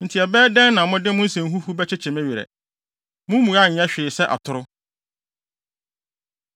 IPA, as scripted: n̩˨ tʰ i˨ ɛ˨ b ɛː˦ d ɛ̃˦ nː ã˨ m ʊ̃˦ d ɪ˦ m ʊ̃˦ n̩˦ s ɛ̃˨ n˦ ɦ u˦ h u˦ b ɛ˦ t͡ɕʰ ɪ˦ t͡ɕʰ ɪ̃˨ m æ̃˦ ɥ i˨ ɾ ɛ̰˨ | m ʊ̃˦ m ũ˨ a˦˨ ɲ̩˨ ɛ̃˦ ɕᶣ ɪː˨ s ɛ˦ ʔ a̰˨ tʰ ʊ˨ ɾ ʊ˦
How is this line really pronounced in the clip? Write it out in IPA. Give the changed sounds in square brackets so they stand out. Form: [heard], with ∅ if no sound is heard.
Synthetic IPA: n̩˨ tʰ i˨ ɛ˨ b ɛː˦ d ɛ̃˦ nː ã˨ m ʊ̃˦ d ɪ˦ m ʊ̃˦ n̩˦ s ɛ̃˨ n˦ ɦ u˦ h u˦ b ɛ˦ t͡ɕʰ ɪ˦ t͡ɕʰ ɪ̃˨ m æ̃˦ ɥ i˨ ɾ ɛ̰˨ | m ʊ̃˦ m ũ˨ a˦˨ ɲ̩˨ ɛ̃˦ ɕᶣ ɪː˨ s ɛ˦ ʔ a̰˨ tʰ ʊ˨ ɾ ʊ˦